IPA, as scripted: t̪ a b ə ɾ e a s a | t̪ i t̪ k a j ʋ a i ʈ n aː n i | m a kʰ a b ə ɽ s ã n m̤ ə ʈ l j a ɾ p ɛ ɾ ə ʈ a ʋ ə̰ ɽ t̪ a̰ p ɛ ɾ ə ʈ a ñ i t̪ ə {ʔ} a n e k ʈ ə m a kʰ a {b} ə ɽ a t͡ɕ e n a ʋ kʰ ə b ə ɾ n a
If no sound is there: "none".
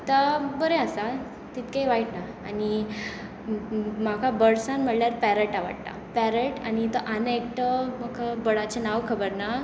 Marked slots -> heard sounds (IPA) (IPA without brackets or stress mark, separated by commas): ʔ, b